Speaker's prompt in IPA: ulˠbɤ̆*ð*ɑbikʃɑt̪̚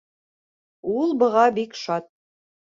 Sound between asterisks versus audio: incorrect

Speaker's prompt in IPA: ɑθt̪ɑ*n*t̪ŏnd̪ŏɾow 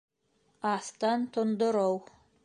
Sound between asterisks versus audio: correct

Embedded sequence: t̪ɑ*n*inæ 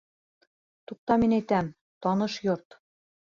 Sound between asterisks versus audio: incorrect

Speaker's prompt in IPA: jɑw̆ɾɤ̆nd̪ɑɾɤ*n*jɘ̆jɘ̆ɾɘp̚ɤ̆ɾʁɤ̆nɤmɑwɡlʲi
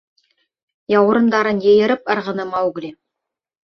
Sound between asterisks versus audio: correct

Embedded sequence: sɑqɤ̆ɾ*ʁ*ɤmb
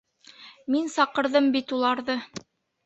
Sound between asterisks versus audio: incorrect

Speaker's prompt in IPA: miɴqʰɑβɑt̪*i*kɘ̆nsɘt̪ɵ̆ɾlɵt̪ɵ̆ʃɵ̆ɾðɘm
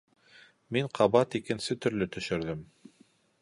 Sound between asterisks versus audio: correct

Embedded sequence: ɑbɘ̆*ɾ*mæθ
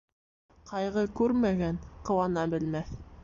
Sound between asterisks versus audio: incorrect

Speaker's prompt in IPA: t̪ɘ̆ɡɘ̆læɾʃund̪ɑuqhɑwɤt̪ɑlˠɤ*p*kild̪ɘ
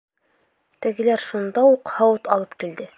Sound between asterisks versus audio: correct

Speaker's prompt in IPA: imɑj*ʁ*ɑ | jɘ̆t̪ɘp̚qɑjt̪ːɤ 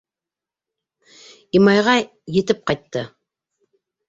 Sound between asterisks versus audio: correct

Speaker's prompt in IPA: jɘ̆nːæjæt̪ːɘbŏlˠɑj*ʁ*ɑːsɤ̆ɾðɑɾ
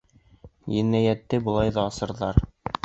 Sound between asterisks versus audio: incorrect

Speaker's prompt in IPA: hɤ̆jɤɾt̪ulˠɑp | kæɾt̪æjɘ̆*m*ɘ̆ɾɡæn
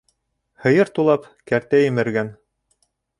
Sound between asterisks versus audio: correct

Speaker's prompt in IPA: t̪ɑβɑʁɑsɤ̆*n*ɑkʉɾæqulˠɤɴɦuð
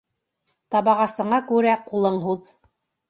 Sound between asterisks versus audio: incorrect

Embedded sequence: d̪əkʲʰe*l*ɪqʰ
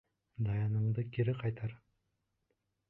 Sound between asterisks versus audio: incorrect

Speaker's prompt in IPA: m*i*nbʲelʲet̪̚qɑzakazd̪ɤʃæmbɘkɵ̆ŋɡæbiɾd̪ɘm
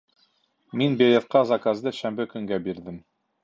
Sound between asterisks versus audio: correct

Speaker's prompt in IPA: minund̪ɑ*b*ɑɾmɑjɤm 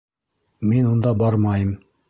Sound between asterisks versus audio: correct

